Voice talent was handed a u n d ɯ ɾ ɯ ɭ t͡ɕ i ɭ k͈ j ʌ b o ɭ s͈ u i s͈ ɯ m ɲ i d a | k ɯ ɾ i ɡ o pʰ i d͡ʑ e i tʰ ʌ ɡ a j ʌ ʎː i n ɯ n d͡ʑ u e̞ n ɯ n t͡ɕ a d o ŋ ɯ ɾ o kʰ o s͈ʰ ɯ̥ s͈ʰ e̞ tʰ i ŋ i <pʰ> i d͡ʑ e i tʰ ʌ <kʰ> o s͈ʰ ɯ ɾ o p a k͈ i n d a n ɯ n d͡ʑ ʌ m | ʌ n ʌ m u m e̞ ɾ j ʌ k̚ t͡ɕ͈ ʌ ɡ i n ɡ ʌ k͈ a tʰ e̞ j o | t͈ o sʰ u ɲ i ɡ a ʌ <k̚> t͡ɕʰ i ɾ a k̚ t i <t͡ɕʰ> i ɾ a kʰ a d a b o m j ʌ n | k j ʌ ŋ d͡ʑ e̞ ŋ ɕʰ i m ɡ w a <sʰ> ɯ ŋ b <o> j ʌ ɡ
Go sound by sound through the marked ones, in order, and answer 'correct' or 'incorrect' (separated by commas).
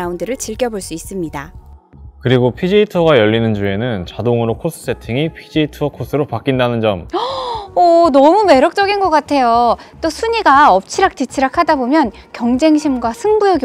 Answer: correct, correct, incorrect, correct, correct, incorrect